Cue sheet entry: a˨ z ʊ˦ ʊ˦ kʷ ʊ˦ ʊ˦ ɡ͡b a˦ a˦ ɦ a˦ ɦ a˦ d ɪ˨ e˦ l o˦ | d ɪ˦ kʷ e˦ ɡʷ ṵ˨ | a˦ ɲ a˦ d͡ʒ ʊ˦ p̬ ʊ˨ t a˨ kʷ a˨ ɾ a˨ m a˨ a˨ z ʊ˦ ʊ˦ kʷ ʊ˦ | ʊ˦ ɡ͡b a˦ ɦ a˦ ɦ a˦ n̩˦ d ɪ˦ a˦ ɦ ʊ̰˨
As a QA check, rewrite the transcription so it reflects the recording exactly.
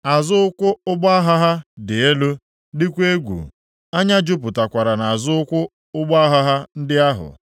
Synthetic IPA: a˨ z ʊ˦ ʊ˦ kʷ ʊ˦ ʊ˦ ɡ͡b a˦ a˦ ɦ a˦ ɦ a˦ d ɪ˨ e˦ l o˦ | d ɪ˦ kʷ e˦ ɡʷ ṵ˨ | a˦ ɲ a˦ d͡ʒ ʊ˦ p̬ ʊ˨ t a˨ kʷ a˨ ɾ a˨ n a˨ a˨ z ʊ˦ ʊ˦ kʷ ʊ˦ | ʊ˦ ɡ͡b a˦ ɦ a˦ ɦ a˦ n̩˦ d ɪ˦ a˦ ɦ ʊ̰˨